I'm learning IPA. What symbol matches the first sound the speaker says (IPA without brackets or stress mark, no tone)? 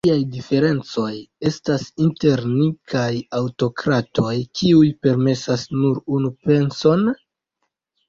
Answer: i